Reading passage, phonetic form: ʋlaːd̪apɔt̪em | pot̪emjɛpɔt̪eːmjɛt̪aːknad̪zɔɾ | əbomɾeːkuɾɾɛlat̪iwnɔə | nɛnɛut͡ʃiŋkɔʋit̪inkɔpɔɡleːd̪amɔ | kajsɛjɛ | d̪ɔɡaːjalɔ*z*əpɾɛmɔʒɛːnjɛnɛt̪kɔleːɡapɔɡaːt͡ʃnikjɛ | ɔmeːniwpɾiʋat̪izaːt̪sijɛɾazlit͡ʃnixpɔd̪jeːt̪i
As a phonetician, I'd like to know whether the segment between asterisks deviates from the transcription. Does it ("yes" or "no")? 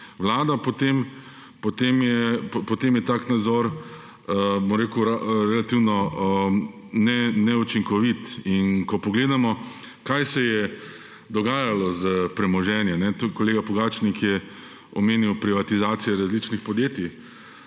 no